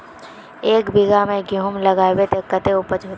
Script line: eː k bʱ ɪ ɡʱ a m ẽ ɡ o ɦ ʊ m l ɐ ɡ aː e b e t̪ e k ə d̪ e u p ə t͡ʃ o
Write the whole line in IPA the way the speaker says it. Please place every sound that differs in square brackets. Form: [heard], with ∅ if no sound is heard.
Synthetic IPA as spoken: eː k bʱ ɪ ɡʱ a m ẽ ɡ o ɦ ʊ m l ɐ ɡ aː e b e t̪ e k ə [t̪] e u p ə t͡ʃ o